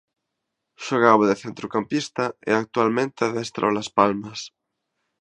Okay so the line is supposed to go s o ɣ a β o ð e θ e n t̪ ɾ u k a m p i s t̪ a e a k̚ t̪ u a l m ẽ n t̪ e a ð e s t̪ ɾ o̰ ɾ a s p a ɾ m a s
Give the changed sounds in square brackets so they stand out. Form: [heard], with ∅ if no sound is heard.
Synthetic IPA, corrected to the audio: [ʃ] o ɣ a β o ð e θ e n t̪ ɾ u k a m p i s t̪ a e a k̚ t̪ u a l m ẽ n t̪ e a ð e s t̪ ɾ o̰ [l] a s p a [l] m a s